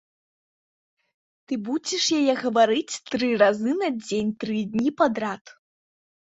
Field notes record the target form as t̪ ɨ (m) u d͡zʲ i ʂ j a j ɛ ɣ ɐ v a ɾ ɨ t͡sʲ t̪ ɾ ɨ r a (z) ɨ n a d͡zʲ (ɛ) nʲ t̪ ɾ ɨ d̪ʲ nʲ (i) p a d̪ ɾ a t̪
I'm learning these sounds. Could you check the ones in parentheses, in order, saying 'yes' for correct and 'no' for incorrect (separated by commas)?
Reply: no, yes, no, yes